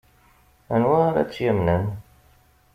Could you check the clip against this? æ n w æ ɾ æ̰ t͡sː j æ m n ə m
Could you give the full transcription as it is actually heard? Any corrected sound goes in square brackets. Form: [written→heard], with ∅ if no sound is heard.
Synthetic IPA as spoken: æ n w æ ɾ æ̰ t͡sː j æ m n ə [m→n]